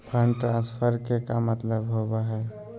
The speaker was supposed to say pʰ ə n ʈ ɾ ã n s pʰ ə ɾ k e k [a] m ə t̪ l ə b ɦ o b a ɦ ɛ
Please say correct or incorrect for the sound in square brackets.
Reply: correct